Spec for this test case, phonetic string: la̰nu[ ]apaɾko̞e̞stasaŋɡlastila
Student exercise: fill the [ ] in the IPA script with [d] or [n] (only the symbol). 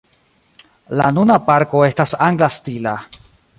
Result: n